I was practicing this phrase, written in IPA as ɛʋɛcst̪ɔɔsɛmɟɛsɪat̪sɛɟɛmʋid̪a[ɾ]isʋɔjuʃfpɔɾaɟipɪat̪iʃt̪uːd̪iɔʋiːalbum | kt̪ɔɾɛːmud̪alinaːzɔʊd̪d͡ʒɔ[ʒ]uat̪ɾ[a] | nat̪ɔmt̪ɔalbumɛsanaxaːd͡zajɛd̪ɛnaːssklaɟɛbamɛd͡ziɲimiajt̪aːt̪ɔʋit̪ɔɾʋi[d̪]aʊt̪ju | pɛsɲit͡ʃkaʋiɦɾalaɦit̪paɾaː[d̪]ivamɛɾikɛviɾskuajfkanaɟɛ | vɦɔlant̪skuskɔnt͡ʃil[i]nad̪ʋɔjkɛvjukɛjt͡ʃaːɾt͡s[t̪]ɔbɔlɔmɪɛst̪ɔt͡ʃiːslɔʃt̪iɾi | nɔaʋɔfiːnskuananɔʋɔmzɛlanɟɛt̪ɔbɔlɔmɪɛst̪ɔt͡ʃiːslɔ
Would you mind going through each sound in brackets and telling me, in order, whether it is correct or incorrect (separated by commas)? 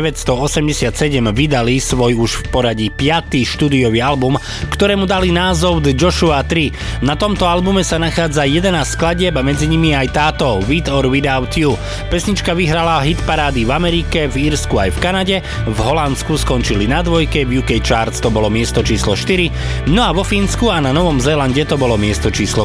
incorrect, incorrect, incorrect, correct, correct, correct, correct